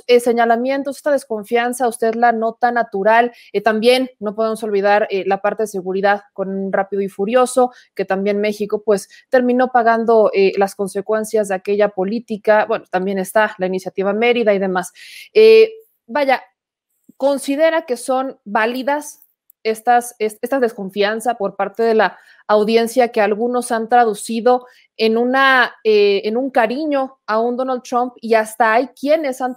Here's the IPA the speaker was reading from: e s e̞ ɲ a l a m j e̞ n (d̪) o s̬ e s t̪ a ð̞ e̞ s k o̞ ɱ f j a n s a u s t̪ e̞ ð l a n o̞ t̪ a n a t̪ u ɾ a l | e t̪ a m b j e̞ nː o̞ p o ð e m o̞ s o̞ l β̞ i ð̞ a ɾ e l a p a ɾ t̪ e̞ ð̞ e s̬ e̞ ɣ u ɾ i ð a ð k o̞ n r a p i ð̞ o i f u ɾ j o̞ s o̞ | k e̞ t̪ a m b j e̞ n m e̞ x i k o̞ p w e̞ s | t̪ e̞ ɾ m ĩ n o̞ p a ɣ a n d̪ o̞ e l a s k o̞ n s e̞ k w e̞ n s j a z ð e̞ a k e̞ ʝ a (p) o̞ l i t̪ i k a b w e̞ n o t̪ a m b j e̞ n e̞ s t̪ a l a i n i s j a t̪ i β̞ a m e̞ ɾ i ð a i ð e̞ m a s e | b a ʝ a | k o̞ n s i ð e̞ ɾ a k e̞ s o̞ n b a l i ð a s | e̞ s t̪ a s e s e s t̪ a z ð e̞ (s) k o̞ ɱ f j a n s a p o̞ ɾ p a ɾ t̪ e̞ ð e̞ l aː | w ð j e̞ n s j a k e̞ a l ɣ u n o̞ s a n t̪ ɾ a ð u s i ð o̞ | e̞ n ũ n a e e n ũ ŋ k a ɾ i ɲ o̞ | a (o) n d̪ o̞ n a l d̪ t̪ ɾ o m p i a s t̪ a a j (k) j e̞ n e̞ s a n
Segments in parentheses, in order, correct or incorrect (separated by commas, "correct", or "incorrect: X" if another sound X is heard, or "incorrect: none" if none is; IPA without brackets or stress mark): incorrect: t̪, correct, correct, incorrect: u, correct